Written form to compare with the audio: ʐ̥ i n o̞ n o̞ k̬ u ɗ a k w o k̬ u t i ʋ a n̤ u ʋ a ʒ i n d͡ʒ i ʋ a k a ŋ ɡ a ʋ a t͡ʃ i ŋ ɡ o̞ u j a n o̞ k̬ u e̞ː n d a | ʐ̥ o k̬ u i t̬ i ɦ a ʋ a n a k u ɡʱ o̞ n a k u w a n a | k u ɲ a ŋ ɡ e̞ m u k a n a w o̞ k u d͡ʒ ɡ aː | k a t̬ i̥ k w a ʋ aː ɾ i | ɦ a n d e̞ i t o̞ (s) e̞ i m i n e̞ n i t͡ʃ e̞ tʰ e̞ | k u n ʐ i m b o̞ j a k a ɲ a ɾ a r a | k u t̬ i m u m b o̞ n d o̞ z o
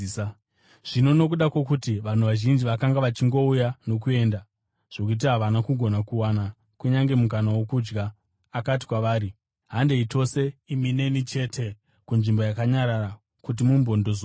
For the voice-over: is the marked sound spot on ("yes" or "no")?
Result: yes